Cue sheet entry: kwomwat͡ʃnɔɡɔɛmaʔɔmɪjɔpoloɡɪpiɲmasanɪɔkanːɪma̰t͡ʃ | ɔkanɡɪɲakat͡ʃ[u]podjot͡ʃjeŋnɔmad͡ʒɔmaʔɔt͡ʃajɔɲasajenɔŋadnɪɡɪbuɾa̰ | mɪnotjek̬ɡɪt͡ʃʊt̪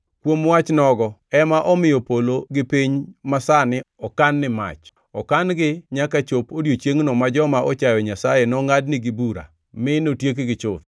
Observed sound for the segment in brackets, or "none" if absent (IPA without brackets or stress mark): o